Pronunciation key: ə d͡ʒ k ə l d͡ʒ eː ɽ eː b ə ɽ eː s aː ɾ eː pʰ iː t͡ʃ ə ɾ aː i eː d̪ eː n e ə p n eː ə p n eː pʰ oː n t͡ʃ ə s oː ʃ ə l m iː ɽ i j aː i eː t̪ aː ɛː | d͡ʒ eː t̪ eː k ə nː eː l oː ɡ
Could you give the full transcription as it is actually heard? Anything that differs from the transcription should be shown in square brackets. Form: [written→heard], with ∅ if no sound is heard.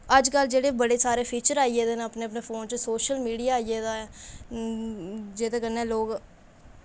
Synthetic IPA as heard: ə d͡ʒ k ə l d͡ʒ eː ɽ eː b ə ɽ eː s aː ɾ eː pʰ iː t͡ʃ ə ɾ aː i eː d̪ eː n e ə p n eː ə p n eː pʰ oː n t͡ʃ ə s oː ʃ ə l m iː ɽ i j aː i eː [t̪→d̪] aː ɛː | d͡ʒ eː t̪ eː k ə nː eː l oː ɡ